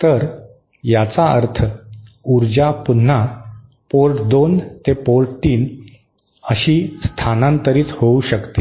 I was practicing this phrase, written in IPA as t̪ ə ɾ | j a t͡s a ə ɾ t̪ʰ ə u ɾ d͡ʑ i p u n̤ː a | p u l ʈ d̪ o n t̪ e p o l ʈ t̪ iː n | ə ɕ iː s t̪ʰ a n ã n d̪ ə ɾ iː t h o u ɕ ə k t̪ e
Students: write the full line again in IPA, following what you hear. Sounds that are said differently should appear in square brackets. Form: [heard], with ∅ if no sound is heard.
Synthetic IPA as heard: t̪ ə ɾ | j a t͡s a ə ɾ t̪ʰ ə u ɾ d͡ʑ [a] p u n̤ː a | p [o] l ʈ d̪ o n t̪ e p o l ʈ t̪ iː n | ə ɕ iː s t̪ʰ a n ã n [t̪] ə ɾ iː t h o u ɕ ə k t̪ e